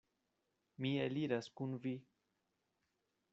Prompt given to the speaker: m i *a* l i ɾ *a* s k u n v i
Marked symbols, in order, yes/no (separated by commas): no, yes